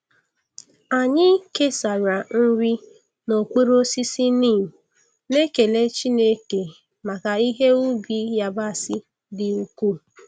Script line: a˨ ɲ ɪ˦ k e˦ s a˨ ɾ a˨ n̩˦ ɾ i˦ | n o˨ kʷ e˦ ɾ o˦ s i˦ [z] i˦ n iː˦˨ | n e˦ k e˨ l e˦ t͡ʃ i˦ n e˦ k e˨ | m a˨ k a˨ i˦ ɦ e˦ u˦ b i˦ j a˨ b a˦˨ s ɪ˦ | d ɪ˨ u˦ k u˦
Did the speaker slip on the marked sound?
yes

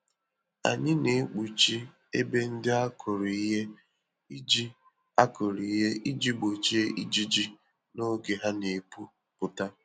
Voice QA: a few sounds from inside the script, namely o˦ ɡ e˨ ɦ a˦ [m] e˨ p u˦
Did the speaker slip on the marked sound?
yes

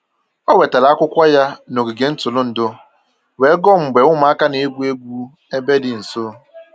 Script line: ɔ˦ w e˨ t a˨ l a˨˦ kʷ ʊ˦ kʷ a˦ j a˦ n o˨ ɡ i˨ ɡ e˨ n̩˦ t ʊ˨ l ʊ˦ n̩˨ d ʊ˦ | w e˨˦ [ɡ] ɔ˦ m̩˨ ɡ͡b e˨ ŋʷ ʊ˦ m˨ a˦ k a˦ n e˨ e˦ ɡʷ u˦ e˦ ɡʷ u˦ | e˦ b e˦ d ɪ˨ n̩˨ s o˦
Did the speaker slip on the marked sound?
no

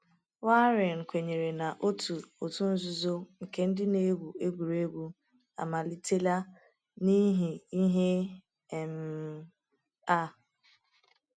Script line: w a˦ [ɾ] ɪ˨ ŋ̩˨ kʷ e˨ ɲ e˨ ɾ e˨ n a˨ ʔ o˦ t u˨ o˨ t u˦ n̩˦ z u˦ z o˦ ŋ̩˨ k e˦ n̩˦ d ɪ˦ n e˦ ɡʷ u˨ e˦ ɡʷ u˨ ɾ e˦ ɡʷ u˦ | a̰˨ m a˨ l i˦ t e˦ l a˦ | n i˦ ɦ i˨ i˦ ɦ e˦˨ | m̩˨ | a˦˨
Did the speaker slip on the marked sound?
no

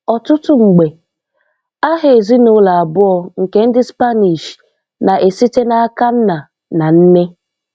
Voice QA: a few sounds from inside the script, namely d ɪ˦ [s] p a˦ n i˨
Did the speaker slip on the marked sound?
no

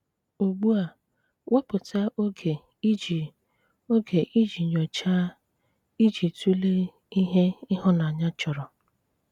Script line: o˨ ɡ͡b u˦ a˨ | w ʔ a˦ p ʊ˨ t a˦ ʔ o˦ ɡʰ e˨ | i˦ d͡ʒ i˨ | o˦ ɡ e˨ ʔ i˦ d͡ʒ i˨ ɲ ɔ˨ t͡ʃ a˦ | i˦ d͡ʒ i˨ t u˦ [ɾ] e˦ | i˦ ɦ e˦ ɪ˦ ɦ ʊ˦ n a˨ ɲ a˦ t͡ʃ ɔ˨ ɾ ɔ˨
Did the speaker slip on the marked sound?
yes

